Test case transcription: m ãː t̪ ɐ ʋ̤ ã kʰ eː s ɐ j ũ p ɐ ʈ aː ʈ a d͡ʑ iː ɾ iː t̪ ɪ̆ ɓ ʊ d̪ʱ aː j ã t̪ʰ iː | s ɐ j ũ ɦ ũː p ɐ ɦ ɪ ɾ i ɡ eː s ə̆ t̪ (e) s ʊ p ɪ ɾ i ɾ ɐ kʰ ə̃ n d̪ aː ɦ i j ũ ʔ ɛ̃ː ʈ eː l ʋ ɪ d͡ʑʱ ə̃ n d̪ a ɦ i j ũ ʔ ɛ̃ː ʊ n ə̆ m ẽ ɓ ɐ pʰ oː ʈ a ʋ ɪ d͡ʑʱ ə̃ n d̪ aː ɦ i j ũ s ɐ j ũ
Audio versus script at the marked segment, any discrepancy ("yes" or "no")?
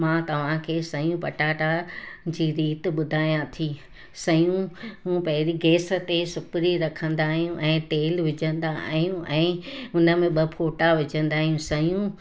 no